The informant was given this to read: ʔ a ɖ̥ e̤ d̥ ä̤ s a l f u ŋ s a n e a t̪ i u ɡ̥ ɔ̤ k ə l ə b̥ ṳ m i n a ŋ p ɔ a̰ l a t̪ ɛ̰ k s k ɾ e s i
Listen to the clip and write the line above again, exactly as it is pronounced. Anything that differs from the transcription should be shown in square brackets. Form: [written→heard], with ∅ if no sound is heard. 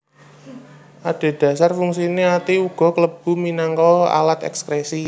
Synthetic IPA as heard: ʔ a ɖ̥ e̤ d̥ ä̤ s a [l→r] f u ŋ s [a→i] n e a t̪ i u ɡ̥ ɔ̤ k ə l ə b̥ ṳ m i n a ŋ [p→k] ɔ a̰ l a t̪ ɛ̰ k s k ɾ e s i